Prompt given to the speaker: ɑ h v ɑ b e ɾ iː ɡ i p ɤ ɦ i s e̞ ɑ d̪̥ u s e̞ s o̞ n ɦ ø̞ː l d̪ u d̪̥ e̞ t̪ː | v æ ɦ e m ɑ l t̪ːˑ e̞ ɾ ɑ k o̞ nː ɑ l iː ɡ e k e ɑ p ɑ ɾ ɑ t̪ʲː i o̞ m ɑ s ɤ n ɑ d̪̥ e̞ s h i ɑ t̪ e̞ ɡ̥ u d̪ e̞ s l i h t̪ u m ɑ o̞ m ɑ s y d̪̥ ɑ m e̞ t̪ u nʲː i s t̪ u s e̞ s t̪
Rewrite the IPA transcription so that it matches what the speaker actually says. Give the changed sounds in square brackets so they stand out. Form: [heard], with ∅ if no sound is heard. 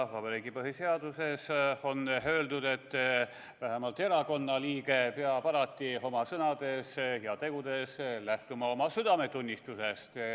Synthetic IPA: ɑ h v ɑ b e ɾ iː ɡ i p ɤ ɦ i s e̞ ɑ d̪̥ u s e̞ s o̞ n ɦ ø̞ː l d̪ u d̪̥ e̞ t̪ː | v æ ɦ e m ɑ l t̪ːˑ e̞ ɾ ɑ k o̞ nː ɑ l iː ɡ e [p] e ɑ p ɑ ɾ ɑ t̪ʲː i o̞ m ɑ s ɤ n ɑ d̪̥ e̞ s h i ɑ t̪ e̞ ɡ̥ u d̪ e̞ s l [æ] h t̪ u m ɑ o̞ m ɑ s y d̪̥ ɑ m e̞ t̪ u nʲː i s t̪ u s e̞ s t̪